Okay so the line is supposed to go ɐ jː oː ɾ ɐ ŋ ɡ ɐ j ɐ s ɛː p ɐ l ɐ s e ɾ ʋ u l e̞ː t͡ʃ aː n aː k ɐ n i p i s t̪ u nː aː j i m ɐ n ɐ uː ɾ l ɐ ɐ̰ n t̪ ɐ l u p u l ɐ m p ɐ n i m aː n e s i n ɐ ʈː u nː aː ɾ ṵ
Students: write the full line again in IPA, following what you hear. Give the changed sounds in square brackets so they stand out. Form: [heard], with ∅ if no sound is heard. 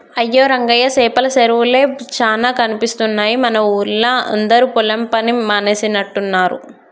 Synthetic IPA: ɐ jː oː ɾ ɐ ŋ ɡ ɐ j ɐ s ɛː p ɐ l ɐ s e ɾ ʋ u l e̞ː t͡ʃ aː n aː k ɐ n i p i s t̪ u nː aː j i m ɐ n ɐ uː ɾ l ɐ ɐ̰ n [d̪] ɐ [ɾ] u p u l ɐ m p ɐ n i m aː n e s i n ɐ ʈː u nː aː ɾ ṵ

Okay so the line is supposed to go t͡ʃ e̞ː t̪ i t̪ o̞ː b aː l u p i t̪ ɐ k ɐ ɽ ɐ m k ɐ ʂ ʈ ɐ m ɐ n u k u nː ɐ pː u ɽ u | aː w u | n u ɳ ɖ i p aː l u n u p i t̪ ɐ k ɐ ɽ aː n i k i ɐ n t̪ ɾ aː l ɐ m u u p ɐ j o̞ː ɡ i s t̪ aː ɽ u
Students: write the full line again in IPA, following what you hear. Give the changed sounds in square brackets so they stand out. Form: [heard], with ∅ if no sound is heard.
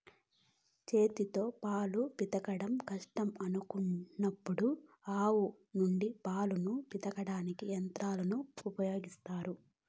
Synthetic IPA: t͡ʃ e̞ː t̪ i t̪ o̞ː [p] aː l u p i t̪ ɐ k ɐ ɽ ɐ m k ɐ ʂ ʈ ɐ m ɐ n u k u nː ɐ pː u ɽ u | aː w u | n u ɳ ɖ i p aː l u n u p i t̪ ɐ k ɐ ɽ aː n i k i ɐ n t̪ ɾ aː l ɐ [n] u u p ɐ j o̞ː ɡ i s t̪ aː [ɾ] u

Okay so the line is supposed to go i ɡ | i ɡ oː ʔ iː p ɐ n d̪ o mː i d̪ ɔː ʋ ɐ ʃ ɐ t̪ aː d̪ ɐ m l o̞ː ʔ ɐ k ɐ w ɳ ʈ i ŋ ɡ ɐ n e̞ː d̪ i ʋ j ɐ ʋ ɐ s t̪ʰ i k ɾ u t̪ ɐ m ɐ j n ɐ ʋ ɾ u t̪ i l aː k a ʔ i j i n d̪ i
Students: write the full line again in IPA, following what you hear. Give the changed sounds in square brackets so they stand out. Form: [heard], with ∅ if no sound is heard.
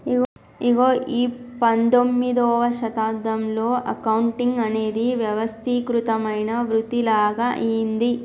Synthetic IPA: i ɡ | i ɡ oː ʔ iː p ɐ n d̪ o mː i d̪ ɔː ʋ ɐ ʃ ɐ t̪ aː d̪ ɐ m l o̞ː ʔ ɐ k ɐ w ɳ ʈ i ŋ ɡ ɐ n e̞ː d̪ i ʋ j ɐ ʋ ɐ s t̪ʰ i k ɾ u t̪ ɐ m ɐ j n ɐ ʋ ɾ u t̪ i l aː [ɡ] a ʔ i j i n d̪ i

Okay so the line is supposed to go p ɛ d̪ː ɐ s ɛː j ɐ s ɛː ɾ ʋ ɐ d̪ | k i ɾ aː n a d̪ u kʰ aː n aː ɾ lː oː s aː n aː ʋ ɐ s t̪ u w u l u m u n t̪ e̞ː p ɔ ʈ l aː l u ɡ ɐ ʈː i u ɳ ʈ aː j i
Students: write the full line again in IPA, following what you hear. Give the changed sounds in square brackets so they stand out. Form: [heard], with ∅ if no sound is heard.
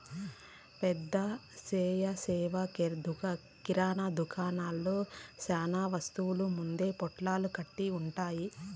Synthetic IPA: p ɛ d̪ː ɐ s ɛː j ɐ s ɛː [∅] ʋ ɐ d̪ | k i ɾ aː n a d̪ u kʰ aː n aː [∅] lː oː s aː n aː ʋ ɐ s t̪ u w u l u m u n [d̪] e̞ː p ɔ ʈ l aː l u [k] ɐ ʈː i u ɳ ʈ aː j i

